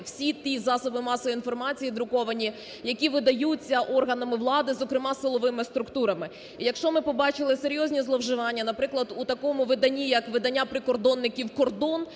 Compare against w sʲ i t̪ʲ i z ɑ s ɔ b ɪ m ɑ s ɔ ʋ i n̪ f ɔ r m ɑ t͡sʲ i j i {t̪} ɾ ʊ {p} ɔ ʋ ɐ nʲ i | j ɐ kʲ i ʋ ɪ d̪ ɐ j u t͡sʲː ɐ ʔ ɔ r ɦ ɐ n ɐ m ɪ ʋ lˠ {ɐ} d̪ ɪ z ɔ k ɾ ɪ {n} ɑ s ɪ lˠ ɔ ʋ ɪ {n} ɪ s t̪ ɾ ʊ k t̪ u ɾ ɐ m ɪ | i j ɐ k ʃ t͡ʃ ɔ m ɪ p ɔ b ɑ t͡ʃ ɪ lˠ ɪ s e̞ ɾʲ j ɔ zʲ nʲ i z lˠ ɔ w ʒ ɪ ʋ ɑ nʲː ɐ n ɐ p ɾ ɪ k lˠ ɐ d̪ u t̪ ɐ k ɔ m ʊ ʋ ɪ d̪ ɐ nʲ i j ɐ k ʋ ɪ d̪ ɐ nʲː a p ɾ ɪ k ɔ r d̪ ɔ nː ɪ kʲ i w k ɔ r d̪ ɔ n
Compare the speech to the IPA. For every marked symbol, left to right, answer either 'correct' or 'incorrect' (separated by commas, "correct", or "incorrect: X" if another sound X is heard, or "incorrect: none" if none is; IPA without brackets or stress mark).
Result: incorrect: d̪, incorrect: k, incorrect: ɑ, incorrect: m, incorrect: m